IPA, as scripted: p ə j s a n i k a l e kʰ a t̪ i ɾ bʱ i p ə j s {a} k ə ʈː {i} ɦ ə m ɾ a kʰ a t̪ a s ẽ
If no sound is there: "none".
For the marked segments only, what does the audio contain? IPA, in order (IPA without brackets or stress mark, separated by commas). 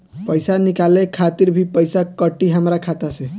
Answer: a, i